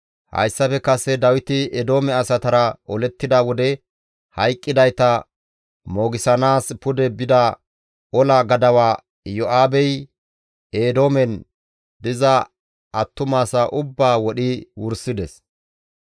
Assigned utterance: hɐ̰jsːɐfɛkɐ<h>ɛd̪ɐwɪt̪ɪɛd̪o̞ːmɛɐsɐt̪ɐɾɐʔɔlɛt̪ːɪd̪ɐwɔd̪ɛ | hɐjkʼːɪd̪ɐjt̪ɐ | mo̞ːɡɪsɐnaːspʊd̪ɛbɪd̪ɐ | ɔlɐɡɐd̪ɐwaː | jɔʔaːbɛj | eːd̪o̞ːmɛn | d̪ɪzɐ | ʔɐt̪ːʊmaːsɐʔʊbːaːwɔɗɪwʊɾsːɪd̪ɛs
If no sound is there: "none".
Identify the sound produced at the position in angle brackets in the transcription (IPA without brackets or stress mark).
s